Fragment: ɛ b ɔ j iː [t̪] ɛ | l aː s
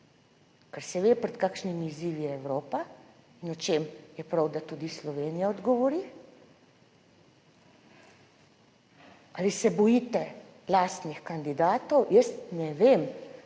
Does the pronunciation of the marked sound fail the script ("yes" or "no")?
no